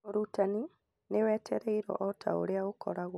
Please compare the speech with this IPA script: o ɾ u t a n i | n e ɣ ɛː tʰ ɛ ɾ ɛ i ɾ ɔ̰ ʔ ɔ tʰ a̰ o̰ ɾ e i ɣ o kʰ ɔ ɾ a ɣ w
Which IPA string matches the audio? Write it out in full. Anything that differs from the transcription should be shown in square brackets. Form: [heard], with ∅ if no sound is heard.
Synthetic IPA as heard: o ɾ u t a n i | n e [w] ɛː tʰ ɛ ɾ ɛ i ɾ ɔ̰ ʔ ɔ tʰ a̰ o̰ ɾ e [a] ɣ o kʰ ɔ ɾ a ɣ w

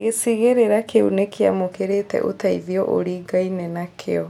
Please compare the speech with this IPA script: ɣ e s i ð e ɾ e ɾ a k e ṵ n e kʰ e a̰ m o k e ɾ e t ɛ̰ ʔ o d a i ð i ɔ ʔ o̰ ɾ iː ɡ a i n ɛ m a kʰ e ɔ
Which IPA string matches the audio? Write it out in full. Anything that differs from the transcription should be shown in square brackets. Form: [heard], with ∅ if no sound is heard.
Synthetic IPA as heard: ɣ e s i [ɣ] e ɾ e ɾ a k e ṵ n e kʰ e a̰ m o k e ɾ e t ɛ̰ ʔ o [t] a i ð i ɔ ʔ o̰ ɾ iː ɡ a i n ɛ [n] a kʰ e ɔ

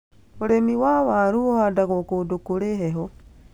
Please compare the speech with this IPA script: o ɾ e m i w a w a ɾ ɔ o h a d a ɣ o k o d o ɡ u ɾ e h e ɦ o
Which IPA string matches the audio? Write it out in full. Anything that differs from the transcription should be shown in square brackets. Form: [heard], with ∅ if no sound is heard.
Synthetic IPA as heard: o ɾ e m i w a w a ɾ [u] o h a d a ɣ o k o d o [k] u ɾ e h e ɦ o

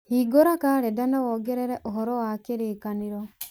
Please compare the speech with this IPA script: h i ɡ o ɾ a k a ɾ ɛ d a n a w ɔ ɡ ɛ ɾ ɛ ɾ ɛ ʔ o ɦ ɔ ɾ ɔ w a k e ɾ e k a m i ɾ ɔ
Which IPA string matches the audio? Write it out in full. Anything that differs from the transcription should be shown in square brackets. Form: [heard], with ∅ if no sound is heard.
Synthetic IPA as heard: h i ɡ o ɾ a k a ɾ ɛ d a n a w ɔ ɡ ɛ ɾ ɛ ɾ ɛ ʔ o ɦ ɔ ɾ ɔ w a k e ɾ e k a [n] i ɾ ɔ

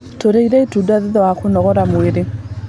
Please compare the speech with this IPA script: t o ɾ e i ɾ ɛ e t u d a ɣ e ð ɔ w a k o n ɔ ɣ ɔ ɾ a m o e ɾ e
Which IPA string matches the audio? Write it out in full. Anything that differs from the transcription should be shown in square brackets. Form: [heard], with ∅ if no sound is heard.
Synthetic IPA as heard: t o ɾ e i ɾ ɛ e t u d a [ð] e ð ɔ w a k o n ɔ ɣ ɔ ɾ a m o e ɾ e

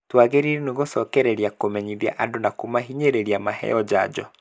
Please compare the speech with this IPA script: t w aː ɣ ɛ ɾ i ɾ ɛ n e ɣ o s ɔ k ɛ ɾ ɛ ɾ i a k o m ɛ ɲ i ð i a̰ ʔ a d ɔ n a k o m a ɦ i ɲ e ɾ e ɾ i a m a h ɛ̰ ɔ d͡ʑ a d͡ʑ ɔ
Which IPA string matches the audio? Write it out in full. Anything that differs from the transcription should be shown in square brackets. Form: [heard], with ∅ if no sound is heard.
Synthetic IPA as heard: t w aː ɣ [e] ɾ i ɾ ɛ n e ɣ o s ɔ k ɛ ɾ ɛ ɾ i a k o m ɛ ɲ i ð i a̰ ʔ a d [o] n a k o m a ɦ i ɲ e ɾ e ɾ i a m a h ɛ̰ ɔ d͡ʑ a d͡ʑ ɔ

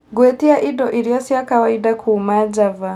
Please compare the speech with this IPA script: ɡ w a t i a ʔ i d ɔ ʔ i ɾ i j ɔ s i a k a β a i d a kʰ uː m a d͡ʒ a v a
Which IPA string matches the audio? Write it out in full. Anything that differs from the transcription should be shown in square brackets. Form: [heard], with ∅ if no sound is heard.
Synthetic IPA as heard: ɡ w [ɛ] t i a ʔ i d ɔ ʔ i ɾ i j ɔ s i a k a [w] a i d a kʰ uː m a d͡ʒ a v a

